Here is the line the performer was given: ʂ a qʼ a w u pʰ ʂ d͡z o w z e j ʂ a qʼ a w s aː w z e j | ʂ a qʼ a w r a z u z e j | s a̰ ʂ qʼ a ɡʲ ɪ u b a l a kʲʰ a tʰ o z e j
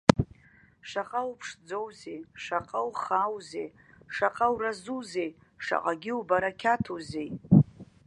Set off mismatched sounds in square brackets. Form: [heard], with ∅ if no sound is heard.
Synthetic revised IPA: ʂ a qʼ a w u pʰ ʂ d͡z o w z e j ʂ a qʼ a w [χ] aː w z e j | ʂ a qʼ a w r a z u z e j | [ʂ] a̰ [∅] qʼ a ɡʲ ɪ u b a [ɾ] a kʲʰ a tʰ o z e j